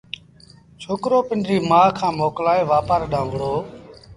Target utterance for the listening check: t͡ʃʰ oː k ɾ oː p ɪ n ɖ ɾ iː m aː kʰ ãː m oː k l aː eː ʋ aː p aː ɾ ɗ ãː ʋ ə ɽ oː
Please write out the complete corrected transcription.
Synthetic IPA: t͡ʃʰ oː k ɾ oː p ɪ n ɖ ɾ iː m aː kʰ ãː m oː k l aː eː ʋ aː p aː ɾ ɗ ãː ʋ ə ɽ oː